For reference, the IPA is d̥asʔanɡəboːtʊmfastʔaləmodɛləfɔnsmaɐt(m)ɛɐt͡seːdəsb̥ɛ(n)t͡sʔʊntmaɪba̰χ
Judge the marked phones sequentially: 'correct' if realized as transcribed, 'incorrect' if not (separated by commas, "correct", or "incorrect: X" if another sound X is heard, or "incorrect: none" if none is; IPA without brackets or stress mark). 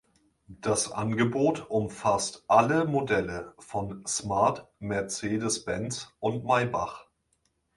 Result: correct, correct